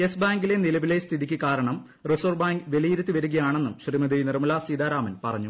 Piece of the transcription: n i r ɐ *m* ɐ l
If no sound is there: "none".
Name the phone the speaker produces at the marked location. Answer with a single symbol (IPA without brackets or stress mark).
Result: m